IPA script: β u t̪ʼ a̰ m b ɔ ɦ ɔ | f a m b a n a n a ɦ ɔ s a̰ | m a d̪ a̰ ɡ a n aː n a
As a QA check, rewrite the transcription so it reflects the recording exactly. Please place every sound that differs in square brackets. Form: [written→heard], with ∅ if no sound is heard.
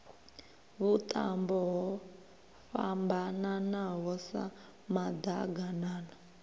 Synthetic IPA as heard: β u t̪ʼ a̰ m b ɔ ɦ ɔ | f a m b a n a n a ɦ ɔ s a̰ | m a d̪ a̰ ɡ a n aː n a

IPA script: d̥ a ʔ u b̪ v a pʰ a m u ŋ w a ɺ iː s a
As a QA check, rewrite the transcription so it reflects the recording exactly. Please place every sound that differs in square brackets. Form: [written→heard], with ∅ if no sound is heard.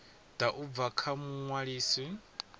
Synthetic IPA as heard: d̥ a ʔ u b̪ v a [pʰ→kʰ] a m u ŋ w a ɺ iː s [a→i]

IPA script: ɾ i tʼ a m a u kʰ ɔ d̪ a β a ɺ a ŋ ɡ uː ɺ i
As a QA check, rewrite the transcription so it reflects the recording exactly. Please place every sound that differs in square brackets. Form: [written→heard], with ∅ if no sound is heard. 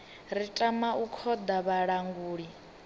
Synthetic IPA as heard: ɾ i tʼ a m a u kʰ ɔ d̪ a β a ɺ a ŋ ɡ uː ɺ i

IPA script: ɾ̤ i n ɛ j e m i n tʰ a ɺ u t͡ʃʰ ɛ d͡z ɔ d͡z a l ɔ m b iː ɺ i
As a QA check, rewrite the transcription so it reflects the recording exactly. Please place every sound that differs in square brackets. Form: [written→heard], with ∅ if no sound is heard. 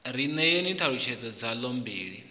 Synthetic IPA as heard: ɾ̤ i n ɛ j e [m→n] i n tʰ a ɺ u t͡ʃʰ ɛ d͡z ɔ d͡z a l ɔ m b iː ɺ i

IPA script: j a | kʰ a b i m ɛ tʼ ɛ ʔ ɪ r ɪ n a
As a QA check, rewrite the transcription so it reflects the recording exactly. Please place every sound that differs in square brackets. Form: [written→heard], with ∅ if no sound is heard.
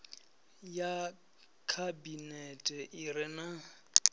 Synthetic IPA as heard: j a | kʰ a b i [m→n] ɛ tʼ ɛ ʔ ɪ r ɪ n a

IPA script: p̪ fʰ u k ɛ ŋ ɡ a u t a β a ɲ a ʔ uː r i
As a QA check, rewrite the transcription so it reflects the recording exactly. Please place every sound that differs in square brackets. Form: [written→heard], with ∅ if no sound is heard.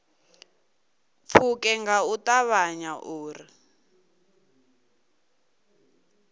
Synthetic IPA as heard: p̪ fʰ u k ɛ ŋ ɡ a u t a β a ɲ a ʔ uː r i

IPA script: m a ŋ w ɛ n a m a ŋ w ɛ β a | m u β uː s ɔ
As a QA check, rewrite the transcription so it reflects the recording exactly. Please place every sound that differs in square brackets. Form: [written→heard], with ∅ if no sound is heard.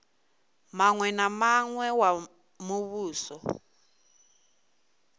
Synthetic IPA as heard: m a ŋ w ɛ n a m a ŋ w ɛ [β→w] a | m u β uː s ɔ

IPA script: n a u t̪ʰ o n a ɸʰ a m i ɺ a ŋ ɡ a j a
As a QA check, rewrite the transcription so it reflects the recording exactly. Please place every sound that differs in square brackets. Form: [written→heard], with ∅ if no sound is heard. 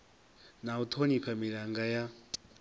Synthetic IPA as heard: n a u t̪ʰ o n [a→i] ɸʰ a m i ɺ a ŋ ɡ a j a

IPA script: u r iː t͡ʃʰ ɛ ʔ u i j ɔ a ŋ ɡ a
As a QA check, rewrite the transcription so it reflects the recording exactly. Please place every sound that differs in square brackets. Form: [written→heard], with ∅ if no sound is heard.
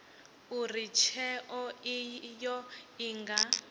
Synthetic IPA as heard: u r [iː→i] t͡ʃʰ ɛ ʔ [u→ɔ] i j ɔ [a→i] ŋ ɡ a

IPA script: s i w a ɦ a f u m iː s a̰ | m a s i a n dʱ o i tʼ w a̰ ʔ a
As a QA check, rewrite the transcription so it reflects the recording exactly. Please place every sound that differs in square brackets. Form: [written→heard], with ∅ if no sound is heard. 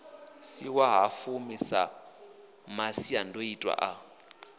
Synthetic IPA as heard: s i w a ɦ a f u m [iː→i] s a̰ | m a s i a n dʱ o i tʼ w a̰ ʔ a

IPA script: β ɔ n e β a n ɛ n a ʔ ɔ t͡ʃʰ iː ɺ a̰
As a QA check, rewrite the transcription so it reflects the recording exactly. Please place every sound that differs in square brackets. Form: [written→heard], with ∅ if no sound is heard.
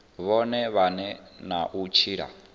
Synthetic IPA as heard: β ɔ n [e→ɛ] β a n ɛ n a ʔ [ɔ→u] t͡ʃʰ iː ɺ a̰

